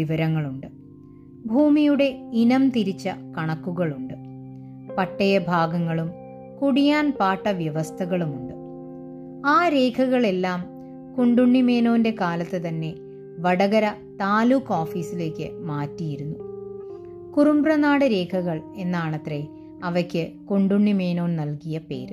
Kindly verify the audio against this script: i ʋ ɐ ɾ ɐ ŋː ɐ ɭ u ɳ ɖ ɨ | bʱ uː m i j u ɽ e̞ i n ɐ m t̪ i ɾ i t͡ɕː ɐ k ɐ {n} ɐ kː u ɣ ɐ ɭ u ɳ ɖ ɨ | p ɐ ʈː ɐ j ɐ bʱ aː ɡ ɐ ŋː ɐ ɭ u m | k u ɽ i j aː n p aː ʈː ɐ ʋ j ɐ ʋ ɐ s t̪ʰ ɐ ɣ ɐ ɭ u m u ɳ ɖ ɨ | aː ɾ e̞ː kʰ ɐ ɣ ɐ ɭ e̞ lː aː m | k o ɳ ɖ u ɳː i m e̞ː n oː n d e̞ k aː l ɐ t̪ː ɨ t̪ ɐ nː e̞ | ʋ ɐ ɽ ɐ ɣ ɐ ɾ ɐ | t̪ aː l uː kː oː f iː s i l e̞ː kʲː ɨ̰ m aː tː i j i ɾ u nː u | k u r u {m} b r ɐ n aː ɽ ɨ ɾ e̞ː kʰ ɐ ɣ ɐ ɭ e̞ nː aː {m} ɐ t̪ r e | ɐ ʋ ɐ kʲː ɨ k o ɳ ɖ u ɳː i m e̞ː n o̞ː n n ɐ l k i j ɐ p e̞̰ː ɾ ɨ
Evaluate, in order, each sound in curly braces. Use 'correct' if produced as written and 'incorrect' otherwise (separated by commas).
incorrect, correct, incorrect